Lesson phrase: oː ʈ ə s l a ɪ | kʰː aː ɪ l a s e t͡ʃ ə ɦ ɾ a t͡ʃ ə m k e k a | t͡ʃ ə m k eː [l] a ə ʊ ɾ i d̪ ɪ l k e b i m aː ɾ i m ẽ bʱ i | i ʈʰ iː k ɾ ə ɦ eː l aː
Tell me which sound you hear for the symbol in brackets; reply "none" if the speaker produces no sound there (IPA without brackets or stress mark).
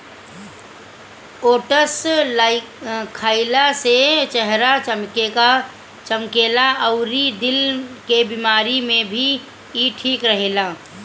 l